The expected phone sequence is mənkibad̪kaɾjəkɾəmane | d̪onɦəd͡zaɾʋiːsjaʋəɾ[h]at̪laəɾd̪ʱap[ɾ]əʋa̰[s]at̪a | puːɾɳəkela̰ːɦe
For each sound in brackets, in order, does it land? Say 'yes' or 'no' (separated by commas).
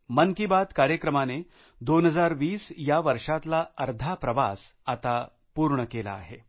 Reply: no, yes, yes